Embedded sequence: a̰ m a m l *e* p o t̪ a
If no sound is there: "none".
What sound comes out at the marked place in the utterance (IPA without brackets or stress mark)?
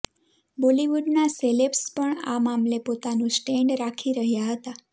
e